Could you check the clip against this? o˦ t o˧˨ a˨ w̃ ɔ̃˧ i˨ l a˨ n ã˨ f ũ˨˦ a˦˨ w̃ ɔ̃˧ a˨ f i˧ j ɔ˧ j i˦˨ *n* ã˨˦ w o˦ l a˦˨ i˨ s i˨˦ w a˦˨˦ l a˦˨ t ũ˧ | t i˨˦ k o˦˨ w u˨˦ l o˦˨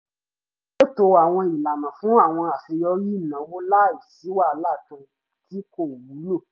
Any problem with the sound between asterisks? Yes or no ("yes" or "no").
no